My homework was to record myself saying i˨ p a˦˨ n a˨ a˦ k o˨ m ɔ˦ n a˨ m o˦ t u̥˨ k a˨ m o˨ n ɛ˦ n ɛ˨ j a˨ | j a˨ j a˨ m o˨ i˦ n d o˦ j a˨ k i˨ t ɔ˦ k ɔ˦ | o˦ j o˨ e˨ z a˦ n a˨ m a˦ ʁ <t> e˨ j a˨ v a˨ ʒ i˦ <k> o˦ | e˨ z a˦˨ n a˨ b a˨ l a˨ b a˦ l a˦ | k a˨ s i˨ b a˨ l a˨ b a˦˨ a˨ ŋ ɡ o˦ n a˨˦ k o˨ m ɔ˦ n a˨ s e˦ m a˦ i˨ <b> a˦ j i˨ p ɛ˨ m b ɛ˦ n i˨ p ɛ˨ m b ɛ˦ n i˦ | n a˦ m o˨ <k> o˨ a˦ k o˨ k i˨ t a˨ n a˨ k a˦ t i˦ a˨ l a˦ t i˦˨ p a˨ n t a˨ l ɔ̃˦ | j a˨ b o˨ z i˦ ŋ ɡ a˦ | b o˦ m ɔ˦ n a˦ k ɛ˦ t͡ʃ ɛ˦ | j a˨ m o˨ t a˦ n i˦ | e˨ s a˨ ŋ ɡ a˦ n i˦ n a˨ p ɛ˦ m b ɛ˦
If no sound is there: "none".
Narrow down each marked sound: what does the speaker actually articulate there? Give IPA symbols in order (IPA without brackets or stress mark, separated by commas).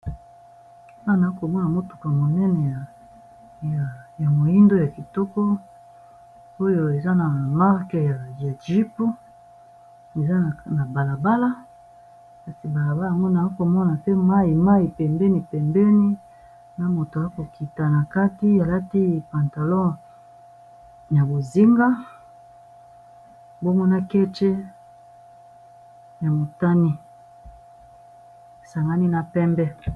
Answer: k, p, m, t